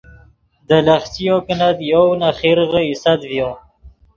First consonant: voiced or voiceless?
voiced